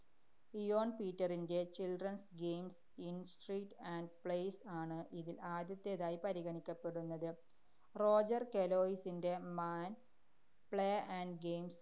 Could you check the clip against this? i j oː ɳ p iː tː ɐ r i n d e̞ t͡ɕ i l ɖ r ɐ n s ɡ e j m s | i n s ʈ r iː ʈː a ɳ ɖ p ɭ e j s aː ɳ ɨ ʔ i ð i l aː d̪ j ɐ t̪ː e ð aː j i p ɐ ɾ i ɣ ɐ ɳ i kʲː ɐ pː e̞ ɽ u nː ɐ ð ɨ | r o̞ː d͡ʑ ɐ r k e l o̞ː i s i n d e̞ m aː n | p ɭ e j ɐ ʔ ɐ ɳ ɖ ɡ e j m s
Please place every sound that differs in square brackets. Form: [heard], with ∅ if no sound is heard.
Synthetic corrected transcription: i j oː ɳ p iː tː ɐ r i n d e̞ t͡ɕ i l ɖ r ɐ n s ɡ e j m s | i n s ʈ r iː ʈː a ɳ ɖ p ɭ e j s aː ɳ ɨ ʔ i ð i l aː d̪ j ɐ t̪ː e ð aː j i p ɐ ɾ i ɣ ɐ ɳ i kʲː ɐ pː e̞ ɽ u nː ɐ ð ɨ | r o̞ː d͡ʑ ɐ r k e l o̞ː i s i n d e̞ m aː n | p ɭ e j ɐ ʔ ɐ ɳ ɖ ɡ e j m s

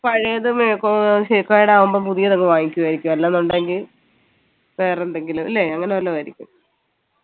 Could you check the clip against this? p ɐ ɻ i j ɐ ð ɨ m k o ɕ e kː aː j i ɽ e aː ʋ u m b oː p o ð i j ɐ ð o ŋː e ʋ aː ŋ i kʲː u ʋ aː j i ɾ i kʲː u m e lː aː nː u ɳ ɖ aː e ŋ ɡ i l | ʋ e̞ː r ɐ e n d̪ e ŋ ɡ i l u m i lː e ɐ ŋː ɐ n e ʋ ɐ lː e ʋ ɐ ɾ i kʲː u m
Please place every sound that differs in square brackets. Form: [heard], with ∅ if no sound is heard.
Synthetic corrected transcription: p ɐ ɻ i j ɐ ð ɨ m k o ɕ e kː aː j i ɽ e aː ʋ u m b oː p [u] ð i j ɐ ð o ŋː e ʋ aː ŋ i kʲː u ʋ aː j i ɾ i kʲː u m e lː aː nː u ɳ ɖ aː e ŋ ɡ i l | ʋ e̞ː r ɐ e n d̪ e ŋ ɡ i l u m i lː e ɐ ŋː ɐ n e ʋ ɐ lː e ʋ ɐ ɾ i kʲː u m

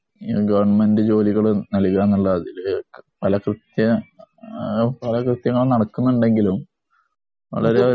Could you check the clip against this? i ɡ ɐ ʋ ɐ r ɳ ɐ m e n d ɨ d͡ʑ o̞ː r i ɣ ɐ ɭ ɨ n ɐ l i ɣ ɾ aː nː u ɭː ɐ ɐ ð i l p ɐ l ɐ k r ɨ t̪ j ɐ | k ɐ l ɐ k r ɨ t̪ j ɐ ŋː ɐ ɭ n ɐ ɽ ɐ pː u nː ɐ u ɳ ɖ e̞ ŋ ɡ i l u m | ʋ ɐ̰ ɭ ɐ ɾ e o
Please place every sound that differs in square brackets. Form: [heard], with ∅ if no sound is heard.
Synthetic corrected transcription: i ɡ ɐ ʋ ɐ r ɳ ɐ m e n d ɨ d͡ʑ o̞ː [l] i ɣ ɐ ɭ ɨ n ɐ l i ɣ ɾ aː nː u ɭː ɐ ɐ ð i l p ɐ l ɐ k r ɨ t̪ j ɐ | [p] ɐ l ɐ k r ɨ t̪ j ɐ ŋː ɐ ɭ n ɐ ɽ ɐ [kː] u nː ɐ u ɳ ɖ e̞ ŋ ɡ i l u m | ʋ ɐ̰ ɭ ɐ ɾ e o

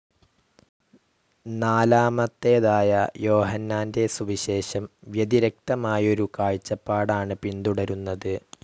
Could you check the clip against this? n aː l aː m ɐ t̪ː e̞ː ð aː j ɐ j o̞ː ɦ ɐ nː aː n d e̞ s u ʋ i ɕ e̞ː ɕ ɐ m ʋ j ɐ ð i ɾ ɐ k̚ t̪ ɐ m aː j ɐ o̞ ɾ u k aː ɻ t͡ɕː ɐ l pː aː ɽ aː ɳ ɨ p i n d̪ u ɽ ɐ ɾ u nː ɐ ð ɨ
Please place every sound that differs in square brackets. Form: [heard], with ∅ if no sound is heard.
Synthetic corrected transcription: n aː l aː m ɐ t̪ː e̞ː ð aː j ɐ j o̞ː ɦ ɐ nː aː n d e̞ s u ʋ i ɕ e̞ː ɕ ɐ m ʋ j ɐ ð i ɾ ɐ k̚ t̪ ɐ m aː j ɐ o̞ ɾ u k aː ɻ t͡ɕː ɐ [∅] pː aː ɽ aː ɳ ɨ p i n d̪ u ɽ ɐ ɾ u nː ɐ ð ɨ

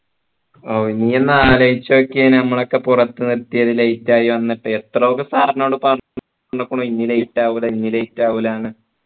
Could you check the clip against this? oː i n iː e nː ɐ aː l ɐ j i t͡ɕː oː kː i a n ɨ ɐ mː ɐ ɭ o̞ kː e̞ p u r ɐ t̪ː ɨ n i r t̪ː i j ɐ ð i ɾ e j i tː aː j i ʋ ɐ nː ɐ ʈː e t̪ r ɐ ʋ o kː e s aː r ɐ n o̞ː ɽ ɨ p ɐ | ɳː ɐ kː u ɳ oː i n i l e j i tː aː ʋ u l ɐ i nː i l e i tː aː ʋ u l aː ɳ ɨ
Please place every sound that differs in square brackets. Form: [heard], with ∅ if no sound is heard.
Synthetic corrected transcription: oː i n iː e nː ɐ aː l ɐ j i t͡ɕː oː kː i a n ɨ ɐ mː ɐ ɭ o̞ kː e̞ p u r ɐ t̪ː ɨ n i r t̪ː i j ɐ ð i [l] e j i tː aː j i ʋ ɐ nː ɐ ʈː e t̪ r ɐ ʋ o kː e s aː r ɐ n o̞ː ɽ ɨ p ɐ | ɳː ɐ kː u ɳ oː i [nː] i l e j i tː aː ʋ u l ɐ i nː i l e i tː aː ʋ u l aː ɳ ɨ

